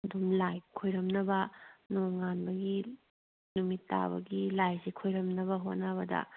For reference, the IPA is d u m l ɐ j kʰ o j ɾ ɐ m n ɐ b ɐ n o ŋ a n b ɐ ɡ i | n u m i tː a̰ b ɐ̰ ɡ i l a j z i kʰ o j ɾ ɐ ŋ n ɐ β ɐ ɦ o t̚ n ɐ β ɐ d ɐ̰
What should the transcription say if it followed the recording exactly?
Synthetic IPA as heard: d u m l a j kʰ o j ɾ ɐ m n ɐ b ɐ n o ŋ a n b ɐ ɡ i | n u m i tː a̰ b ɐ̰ ɡ i l a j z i kʰ o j ɾ ɐ m n ɐ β ɐ ɦ o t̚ n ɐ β ɐ d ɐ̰